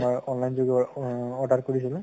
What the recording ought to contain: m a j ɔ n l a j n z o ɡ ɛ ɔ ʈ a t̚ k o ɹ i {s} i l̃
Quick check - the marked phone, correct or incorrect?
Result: correct